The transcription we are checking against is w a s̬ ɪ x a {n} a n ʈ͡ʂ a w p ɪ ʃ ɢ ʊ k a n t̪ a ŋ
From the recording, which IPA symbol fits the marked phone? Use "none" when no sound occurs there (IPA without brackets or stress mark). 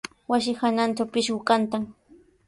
n